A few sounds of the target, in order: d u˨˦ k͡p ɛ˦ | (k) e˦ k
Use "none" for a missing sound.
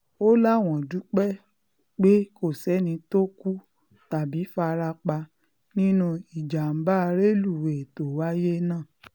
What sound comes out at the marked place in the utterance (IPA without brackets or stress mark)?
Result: k͡p